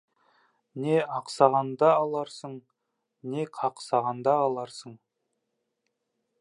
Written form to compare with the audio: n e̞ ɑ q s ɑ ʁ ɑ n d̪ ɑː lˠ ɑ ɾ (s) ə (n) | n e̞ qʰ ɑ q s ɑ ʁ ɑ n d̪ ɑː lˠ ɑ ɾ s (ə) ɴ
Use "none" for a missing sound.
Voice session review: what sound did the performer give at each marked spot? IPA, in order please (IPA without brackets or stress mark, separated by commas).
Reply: s, ɴ, ə